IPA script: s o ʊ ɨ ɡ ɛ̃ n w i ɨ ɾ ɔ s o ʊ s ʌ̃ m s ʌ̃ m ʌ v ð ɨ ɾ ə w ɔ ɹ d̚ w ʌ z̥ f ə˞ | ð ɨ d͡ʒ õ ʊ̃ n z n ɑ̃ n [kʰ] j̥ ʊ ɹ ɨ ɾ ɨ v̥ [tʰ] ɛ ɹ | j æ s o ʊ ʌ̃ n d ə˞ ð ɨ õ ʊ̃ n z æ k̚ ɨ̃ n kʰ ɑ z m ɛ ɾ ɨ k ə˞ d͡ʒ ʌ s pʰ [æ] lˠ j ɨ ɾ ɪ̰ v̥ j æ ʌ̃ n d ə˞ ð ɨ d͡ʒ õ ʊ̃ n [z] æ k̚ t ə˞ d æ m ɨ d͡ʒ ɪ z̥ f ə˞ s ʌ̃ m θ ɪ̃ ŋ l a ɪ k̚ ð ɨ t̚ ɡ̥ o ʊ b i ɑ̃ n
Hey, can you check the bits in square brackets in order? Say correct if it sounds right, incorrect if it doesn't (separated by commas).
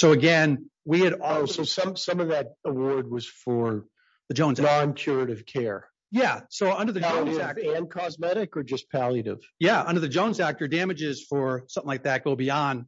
correct, incorrect, correct, correct